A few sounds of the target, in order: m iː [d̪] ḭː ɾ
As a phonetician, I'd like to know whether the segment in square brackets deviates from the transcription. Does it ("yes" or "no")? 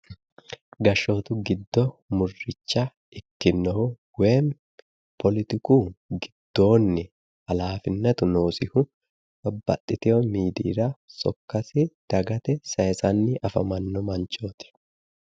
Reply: no